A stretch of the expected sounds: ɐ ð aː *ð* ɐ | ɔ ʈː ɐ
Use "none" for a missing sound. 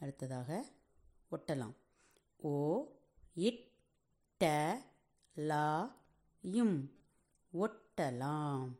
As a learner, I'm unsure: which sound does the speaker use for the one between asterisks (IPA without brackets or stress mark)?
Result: ɣ